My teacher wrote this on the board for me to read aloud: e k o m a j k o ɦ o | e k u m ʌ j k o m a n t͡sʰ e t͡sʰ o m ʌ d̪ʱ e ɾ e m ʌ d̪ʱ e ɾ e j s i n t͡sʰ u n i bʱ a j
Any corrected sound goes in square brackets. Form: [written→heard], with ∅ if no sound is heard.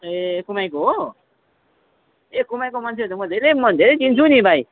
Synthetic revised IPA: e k [o→u] m a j k o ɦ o | e k u m [ʌ→a] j k o m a n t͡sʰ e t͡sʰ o m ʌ d̪ʱ e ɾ e m ʌ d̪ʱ e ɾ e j [s→t͡s] i n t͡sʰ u n i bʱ a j